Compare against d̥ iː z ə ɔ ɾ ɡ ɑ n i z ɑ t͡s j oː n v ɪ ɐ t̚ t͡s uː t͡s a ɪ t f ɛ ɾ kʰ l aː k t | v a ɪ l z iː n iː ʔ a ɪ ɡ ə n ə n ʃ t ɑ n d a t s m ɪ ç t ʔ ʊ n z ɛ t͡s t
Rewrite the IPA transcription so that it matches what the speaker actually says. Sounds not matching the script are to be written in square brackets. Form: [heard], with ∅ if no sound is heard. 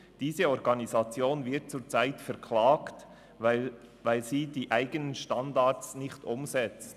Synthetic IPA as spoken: d̥ iː z ə ɔ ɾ ɡ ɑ n i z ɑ t͡s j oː n v ɪ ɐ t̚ t͡s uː t͡s a ɪ t f ɛ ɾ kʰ l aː k t | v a ɪ l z iː [d] iː ʔ a ɪ ɡ ə n ə n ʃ t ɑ n d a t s [n] ɪ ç t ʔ ʊ [m] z ɛ t͡s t